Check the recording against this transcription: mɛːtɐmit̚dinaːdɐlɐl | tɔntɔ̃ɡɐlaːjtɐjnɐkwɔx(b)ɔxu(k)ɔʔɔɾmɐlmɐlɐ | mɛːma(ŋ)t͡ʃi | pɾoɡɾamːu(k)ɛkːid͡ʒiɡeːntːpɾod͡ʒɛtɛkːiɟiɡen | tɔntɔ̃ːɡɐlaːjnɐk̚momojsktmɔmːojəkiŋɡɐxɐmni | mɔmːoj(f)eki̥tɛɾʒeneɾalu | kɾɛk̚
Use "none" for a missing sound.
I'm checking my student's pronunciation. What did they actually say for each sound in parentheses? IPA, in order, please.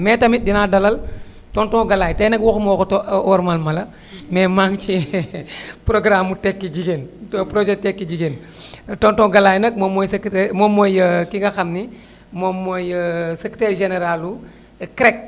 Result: m, t, ŋ, t, s

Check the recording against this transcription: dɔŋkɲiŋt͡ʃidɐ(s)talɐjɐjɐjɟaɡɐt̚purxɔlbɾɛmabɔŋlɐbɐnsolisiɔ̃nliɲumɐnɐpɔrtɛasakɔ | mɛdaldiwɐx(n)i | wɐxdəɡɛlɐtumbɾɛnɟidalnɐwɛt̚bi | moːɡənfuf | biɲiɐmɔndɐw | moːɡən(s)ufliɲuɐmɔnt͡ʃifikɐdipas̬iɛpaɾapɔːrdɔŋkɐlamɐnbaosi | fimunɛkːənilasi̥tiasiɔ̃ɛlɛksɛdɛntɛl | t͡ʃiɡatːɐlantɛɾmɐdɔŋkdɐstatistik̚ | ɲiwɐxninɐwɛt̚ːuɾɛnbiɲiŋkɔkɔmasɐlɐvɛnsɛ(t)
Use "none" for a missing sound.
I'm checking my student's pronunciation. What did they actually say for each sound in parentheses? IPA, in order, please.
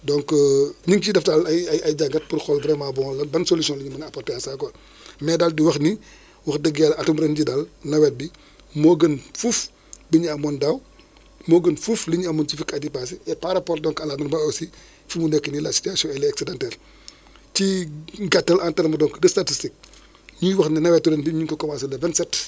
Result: f, n, f, t

